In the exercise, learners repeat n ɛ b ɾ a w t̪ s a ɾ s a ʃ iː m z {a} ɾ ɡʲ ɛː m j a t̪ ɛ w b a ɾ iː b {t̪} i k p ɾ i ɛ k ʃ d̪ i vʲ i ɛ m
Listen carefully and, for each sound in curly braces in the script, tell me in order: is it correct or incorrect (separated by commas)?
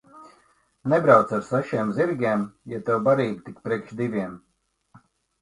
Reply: incorrect, correct